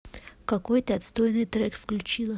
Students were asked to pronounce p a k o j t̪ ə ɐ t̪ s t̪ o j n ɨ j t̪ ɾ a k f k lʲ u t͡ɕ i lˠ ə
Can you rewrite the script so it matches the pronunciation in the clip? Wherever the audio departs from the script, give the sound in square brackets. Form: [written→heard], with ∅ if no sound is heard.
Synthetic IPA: [p→k] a k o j t̪ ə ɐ t̪ s t̪ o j n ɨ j t̪ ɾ [a→ɛ] k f k lʲ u t͡ɕ i lˠ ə